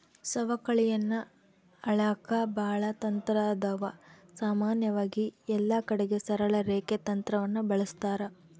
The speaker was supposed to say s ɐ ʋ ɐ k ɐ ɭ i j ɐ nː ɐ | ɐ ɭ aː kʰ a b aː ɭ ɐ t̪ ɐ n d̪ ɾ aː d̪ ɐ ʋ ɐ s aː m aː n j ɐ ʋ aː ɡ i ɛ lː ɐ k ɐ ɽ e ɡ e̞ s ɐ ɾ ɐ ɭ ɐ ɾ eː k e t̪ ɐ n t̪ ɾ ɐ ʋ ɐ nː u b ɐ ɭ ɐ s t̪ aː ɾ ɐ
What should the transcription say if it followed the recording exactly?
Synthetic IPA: s ɐ ʋ ɐ k ɐ ɭ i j ɐ nː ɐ | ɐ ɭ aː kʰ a b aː ɭ ɐ t̪ ɐ n t̪ ɾ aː d̪ ɐ ʋ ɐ s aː m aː n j ɐ ʋ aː ɡ i ɛ lː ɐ k ɐ ɽ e ɡ e̞ s ɐ ɾ ɐ ɭ ɐ ɾ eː k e t̪ ɐ n t̪ ɾ ɐ ʋ ɐ nː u b ɐ ɭ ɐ s t̪ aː ɾ ɐ

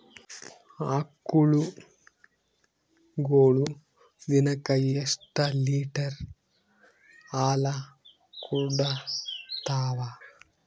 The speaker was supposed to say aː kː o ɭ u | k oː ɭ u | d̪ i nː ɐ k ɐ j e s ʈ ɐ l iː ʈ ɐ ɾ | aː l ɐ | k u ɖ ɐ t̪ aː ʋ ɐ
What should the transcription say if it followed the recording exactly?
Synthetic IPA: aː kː u ɭ u | ɡ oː ɭ u | d̪ i n ɐ k ɐ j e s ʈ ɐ l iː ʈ ɐ ɾ | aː l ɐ | k u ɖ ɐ t̪ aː ʋ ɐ

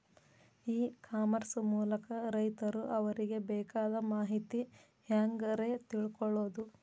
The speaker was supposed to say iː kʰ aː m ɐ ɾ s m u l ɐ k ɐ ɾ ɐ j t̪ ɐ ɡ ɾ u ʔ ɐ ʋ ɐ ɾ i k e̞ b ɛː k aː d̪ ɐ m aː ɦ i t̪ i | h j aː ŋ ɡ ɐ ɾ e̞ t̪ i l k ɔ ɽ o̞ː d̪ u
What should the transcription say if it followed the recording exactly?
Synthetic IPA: iː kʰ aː m ɐ ɾ s m uː l ɐ k ɐ ɾ ɐ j t̪ ɐ ɾ u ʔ ɐ ʋ ɐ ɾ i ɡ e̞ b ɛː k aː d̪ ɐ m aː ɦ i t̪ i | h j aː ŋ ɡ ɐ ɾ e̞ t̪ i ɭ k ɔ ɭ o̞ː d̪ u

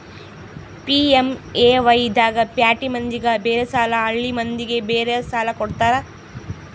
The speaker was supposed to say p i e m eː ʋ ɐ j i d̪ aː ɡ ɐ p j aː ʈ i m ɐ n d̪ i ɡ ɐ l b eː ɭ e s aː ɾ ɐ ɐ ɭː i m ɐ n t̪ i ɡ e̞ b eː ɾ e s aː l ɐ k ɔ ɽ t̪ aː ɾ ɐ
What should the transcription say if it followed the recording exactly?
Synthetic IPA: p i e m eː ʋ ɐ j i d̪ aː ɡ ɐ p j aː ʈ i m ɐ n d̪ i ɡ ɐ b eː ɾ e s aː l ɐ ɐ ɭː i m ɐ n d̪ i ɡ e̞ b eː ɾ e s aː l ɐ k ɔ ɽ t̪ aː ɾ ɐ

